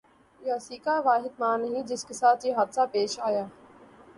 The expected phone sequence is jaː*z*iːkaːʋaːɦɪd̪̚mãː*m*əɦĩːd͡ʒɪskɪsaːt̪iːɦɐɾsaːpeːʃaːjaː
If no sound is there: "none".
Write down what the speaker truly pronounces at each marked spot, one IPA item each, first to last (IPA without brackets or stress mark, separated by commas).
s, n